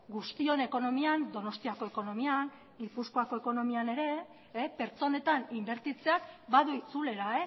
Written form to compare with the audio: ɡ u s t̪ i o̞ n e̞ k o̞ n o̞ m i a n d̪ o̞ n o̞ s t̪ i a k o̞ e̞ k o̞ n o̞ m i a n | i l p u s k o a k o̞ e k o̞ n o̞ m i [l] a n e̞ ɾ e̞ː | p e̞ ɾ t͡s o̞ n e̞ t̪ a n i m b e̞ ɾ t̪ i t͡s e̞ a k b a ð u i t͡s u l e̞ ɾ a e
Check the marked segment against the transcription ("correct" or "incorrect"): incorrect